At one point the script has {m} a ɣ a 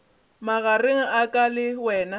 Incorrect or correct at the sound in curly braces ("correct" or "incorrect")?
correct